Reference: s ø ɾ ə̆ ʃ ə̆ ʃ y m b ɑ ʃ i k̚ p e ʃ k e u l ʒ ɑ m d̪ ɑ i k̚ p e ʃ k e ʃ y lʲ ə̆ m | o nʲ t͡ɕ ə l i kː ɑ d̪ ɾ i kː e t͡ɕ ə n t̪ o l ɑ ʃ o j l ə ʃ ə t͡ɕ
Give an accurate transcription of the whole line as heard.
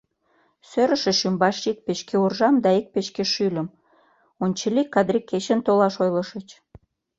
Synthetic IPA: s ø ɾ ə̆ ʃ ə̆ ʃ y m b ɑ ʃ i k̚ p e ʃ k e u r ʒ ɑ m d̪ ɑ i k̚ p e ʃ k e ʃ y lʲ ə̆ m | o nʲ t͡ɕ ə l i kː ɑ d̪ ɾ i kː e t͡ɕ ə n t̪ o l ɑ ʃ o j l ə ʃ ə t͡ɕ